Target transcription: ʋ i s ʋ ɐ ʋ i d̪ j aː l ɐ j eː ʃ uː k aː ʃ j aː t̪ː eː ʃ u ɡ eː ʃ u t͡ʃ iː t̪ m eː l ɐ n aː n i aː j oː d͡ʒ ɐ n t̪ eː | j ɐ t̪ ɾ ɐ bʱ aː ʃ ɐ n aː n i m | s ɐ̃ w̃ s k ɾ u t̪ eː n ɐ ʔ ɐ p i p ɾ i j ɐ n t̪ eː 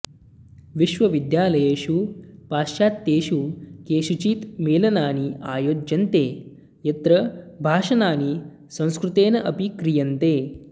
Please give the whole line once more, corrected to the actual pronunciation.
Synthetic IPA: ʋ i ʃ ʋ ɐ ʋ i d̪ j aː l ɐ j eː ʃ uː p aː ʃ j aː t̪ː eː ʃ u k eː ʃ u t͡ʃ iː t̪ m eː l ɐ n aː n i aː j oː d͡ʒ ɐ n t̪ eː | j ɐ t̪ ɾ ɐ bʱ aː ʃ ɐ n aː n i | s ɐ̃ w̃ s k ɾ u t̪ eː n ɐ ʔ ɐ p i k ɾ i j ɐ n t̪ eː

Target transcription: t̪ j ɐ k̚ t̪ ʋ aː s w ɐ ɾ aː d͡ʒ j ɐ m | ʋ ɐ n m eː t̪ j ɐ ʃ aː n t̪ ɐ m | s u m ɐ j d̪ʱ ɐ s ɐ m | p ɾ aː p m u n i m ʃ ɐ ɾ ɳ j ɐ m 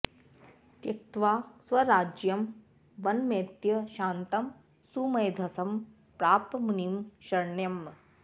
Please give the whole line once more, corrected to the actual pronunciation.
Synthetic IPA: t̪ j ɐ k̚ t̪ ʋ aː s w ɐ ɾ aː d͡ʒ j ɐ m | ʋ ɐ n m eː t̪ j ɐ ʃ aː n t̪ ɐ m | s u m ɐ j d̪ʱ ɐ s ɐ m | p ɾ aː p m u n i m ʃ ɐ ɾ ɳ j ɐ m

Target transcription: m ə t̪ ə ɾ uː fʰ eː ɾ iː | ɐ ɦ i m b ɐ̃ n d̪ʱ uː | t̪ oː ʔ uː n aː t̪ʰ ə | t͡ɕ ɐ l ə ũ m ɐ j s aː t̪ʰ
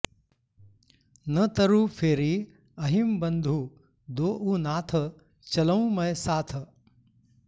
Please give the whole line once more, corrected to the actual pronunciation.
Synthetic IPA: n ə t̪ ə ɾ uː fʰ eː ɾ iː | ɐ ɦ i m b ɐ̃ n d̪ʱ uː | d̪ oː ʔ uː n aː t̪ʰ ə | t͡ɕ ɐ l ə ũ m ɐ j s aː t̪ʰ

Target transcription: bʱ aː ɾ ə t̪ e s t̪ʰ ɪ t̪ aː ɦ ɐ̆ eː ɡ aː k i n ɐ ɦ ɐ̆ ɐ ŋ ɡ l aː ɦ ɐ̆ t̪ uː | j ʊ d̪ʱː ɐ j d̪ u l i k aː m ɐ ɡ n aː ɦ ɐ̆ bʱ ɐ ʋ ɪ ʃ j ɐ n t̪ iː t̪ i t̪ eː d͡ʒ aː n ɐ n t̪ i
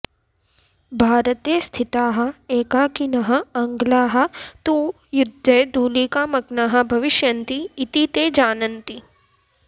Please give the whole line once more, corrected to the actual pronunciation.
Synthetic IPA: bʱ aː ɾ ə t̪ e s t̪ʰ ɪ t̪ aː ɦ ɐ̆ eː k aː k i n ɐ ɦ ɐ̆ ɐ ŋ ɡ l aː ɦ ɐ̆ t̪ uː | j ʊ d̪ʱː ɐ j d̪ uː l i k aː m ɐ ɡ n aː ɦ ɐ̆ bʱ ɐ ʋ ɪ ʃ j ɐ n t̪ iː t̪ i t̪ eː d͡ʒ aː n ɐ n t̪ i

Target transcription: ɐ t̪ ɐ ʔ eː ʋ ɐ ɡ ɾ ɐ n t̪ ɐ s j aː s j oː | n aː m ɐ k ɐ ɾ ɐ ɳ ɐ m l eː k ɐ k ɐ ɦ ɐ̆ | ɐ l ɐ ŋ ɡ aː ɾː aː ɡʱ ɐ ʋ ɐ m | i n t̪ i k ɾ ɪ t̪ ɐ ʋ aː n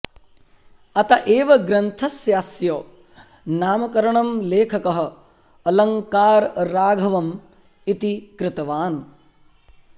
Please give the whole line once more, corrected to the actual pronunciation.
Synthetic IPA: ɐ t̪ ɐ ʔ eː ʋ ɐ ɡ ɾ ɐ n t̪ʰ ɐ s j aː s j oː | n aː m ɐ k ɐ ɾ ɐ ɳ ɐ m l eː kʰ ɐ k ɐ ɦ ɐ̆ | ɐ l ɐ ŋ k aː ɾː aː ɡʱ ɐ ʋ ɐ m | i t̪ i k ɾ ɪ t̪ ɐ ʋ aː n

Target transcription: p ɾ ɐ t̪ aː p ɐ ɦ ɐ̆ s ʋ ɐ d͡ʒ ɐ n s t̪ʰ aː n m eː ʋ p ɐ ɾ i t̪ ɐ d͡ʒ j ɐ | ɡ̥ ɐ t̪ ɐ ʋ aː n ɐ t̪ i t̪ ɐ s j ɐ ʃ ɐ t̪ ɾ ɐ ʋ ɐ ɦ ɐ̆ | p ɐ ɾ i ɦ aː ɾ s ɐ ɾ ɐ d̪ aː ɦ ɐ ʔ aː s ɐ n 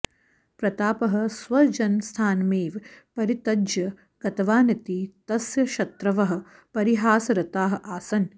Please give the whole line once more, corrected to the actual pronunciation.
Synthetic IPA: p ɾ ɐ t̪ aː p ɐ ɦ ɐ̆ s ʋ ɐ d͡ʒ ɐ n s t̪ʰ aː n m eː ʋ p ɐ ɾ i t̪ ɐ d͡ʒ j ɐ | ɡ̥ ɐ t̪ ɐ ʋ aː n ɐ t̪ i t̪ ɐ s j ɐ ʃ ɐ t̪ ɾ ɐ ʋ ɐ ɦ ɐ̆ | p ɐ ɾ i ɦ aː s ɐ ɾ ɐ t̪ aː ɦ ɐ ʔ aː s ɐ n

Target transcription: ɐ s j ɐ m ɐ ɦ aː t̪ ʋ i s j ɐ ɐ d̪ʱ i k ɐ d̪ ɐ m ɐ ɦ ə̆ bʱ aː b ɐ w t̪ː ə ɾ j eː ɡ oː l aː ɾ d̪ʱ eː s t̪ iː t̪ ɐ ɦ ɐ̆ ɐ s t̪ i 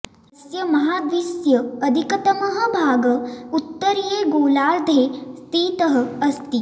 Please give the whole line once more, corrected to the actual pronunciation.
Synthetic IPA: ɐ s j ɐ m ɐ ɦ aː d̪ ʋ i s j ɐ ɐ d̪ʱ i k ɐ t̪ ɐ m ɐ ɦ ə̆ bʱ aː ɡ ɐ u t̪ː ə ɾ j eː ɡ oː l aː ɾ d̪ʱ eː s t̪ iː t̪ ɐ ɦ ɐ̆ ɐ s t̪ i

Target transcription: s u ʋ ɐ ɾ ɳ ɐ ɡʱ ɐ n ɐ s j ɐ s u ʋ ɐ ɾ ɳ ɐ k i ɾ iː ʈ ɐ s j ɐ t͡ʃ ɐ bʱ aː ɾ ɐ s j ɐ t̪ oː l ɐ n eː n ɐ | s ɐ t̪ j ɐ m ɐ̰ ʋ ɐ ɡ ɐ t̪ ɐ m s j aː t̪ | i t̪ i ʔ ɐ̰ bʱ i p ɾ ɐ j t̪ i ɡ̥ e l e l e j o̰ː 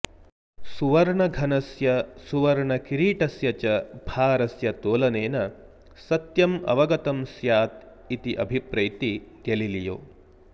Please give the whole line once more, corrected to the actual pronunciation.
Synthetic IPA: s u ʋ ɐ ɾ ɳ ɐ ɡʱ ɐ n ɐ s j ɐ s u ʋ ɐ ɾ ɳ ɐ k i ɾ iː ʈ ɐ s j ɐ t͡ʃ ɐ bʱ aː ɾ ɐ s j ɐ t̪ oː l ɐ n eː n ɐ | s ɐ t̪ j ɐ m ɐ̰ ʋ ɐ ɡ ɐ t̪ ɐ m s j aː t̪ | i t̪ i ʔ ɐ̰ bʱ i p ɾ ɐ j t̪ i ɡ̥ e l i l i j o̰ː

